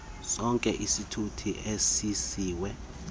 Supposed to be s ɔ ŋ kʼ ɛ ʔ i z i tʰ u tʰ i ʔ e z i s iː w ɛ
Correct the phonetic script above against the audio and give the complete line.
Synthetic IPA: s ɔ ŋ kʼ ɛ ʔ i s i tʰ u tʰ i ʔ e s i s iː w ɛ